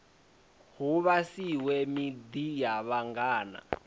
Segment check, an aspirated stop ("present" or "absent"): absent